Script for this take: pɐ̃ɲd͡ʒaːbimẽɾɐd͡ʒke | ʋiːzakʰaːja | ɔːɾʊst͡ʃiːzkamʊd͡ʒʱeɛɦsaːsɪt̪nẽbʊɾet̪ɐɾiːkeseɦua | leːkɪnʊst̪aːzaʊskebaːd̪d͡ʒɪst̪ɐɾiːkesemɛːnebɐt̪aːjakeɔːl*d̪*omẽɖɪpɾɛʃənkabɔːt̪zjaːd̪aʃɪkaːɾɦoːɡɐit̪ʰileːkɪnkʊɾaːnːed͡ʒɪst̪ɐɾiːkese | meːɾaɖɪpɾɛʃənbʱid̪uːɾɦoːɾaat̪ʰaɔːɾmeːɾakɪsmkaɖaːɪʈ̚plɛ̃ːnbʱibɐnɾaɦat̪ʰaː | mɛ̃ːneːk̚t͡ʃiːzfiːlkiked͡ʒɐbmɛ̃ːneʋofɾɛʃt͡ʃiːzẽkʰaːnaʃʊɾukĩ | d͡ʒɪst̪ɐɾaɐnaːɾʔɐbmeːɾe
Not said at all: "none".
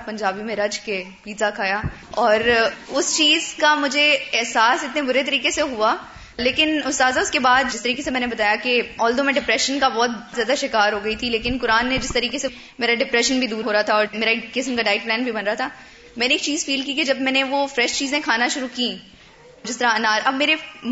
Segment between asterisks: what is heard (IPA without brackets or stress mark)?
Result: d̪